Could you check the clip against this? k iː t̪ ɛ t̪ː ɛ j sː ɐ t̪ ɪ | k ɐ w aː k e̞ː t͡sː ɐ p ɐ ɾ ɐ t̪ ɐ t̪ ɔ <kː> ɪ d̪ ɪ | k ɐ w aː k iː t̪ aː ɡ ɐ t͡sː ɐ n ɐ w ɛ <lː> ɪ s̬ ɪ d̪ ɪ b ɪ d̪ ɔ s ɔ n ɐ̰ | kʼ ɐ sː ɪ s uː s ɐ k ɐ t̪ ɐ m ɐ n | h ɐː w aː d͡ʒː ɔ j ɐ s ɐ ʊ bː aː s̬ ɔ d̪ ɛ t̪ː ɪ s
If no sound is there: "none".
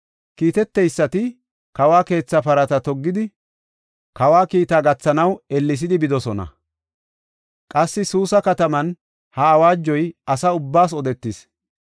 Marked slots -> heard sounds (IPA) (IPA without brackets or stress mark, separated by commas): ɡː, lː